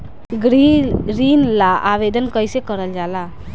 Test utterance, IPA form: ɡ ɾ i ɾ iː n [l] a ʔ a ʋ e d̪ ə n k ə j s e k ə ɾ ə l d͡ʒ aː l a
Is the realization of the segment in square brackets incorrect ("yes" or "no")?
no